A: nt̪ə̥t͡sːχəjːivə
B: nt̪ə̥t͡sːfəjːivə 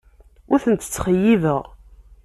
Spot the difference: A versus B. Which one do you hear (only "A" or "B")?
A